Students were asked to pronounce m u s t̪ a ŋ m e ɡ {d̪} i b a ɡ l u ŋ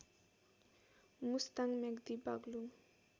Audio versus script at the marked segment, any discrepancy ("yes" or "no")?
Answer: no